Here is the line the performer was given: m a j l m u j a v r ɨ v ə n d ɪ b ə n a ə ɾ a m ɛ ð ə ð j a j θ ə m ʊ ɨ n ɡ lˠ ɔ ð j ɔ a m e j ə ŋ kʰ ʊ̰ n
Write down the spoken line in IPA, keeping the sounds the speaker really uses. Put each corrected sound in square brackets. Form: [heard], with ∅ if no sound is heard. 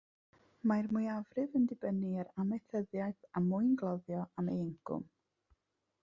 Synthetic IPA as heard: m a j [r] m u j a v r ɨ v ə n d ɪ b ə n [i] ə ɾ a m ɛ [θ] ə ð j a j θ [a] m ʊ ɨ n ɡ lˠ ɔ ð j ɔ a m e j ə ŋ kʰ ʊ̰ [m]